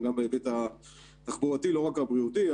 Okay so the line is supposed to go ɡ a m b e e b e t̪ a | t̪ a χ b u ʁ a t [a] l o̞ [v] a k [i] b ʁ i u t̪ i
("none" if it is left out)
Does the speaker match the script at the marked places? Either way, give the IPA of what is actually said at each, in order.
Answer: i, ʁ, a

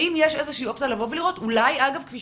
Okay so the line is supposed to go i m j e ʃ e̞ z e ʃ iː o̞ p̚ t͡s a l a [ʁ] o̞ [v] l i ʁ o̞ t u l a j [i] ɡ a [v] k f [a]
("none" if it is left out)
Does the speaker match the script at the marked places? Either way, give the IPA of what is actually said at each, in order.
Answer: v, v, a, v, i

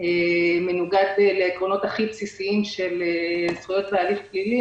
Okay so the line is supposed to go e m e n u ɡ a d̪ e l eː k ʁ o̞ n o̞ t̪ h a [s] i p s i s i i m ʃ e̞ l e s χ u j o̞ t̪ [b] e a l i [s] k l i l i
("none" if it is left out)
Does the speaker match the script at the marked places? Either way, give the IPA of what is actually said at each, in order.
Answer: χ, v, f

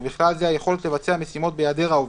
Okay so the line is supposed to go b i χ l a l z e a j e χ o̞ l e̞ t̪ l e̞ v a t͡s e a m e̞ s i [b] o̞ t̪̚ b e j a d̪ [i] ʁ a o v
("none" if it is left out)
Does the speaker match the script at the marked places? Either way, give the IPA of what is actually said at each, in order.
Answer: m, e

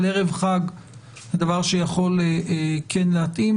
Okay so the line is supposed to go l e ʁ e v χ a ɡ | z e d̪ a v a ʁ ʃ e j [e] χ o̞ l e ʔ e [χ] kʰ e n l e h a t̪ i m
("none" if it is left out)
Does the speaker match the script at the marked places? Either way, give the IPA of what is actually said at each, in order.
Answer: a, none

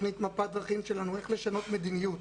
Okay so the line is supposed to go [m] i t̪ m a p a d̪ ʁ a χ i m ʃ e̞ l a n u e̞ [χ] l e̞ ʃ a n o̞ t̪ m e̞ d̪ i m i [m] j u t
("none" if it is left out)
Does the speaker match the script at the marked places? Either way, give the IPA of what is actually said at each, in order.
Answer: n, χ, none

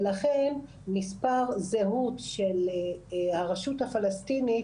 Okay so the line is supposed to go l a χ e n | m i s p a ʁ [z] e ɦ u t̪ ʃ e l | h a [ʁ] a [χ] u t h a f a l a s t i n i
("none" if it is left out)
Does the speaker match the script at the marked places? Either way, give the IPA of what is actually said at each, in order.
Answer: z, ʁ, ʃ

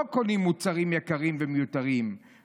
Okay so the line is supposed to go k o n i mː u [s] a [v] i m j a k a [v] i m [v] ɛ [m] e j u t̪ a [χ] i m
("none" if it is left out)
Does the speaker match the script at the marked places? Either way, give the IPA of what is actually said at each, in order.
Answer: t͡s, ʁ, ʁ, v, m, ʁ

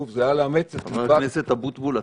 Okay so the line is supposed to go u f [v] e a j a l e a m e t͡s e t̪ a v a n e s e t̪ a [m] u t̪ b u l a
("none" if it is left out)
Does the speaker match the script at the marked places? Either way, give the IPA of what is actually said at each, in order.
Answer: z, b

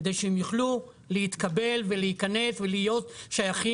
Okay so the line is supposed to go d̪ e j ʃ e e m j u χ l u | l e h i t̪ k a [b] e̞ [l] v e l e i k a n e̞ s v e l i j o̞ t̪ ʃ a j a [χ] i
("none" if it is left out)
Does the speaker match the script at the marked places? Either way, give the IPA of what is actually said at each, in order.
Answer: b, l, χ

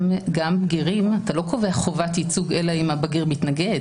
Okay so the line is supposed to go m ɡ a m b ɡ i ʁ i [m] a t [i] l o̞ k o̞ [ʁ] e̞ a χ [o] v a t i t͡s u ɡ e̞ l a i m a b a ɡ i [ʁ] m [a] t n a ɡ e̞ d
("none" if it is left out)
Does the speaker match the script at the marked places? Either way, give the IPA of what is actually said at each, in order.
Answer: m, a, v, o, ʁ, i

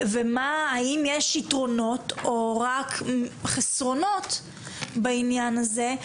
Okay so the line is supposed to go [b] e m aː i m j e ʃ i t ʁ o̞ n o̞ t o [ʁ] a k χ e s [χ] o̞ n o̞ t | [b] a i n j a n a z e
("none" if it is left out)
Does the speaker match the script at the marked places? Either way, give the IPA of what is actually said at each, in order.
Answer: v, ʁ, ʁ, b

